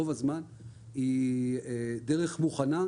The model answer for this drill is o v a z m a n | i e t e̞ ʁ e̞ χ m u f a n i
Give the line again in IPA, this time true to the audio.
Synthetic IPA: o v a z m a n | i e d e̞ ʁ e̞ χ m u χ a n a

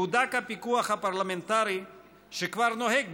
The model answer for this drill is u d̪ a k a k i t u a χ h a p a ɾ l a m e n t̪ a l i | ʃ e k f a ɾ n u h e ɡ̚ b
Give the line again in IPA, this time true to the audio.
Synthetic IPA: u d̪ a k a p i k u a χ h a p a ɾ l a m e n t̪ a ɾ i | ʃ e k v a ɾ n o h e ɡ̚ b

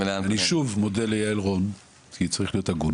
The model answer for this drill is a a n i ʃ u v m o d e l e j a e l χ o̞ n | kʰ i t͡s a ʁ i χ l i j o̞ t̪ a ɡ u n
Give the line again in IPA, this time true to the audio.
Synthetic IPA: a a n i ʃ u v m o d e l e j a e l ʁ o̞ n | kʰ i t͡s a ʁ i χ l i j o̞ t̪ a ɡ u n

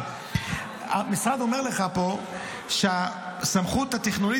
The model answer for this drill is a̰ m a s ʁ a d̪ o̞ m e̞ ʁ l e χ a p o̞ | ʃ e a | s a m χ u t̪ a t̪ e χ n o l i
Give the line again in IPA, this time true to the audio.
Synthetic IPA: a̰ m i s ʁ a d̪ o̞ m e̞ ʁ l e χ a p o̞ | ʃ e a | s a m χ u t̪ a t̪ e χ n o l i

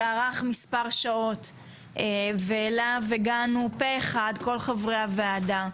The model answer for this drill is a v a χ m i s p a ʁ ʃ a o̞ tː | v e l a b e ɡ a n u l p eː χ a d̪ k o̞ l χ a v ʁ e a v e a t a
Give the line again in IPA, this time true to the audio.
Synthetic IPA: a ʁ a χ m i s p a ʁ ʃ a o̞ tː | v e l a v e ɡ a n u p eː χ a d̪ k o̞ l χ a v ʁ e a v e a d a

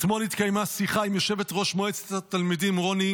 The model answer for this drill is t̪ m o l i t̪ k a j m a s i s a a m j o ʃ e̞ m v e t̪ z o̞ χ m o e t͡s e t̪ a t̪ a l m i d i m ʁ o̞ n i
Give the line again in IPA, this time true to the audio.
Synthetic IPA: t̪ m o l i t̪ k a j m a s i χ a i m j o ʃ e̞ v e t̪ ʁ o̞ ʃ m o e t͡s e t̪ a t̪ a l m i d i m ʁ o̞ n i

